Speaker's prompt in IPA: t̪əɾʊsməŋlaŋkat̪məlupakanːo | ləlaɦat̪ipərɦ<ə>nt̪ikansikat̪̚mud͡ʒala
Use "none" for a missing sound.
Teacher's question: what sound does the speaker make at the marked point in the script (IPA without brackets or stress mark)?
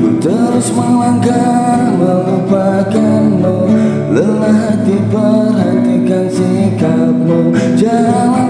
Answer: a